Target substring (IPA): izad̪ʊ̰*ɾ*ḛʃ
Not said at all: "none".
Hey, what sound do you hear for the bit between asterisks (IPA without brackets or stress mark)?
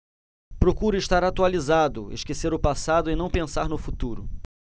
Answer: none